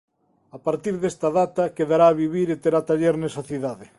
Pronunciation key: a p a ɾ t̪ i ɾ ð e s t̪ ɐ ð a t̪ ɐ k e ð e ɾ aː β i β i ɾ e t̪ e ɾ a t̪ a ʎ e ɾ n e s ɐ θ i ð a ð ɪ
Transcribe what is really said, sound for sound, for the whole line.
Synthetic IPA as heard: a p a ɾ t̪ i ɾ ð e s t̪ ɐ ð a t̪ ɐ k e ð a ɾ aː β i β i ɾ e t̪ e ɾ a t̪ a ʎ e ɾ n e s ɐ θ i ð a ð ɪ